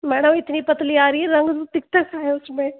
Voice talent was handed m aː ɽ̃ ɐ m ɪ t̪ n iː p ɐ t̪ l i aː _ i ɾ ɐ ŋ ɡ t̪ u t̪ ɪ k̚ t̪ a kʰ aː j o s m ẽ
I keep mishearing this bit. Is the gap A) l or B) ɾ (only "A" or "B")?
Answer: B